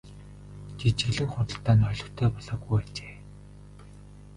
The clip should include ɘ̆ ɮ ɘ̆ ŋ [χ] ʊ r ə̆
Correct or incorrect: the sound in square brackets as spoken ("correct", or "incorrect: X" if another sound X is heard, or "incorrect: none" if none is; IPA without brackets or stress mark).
correct